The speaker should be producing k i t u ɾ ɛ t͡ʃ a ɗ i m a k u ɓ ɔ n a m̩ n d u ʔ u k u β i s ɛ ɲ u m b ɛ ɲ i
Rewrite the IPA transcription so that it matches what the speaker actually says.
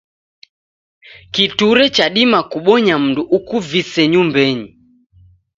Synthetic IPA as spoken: k i t u ɾ ɛ t͡ʃ a ɗ i m a k u ɓ ɔ ɲ a m̩ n d u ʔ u k u v i s ɛ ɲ u m b ɛ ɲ i